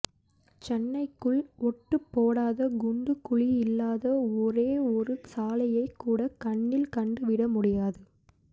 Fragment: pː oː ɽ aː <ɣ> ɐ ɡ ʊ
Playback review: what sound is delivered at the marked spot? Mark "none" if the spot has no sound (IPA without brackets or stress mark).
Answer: ð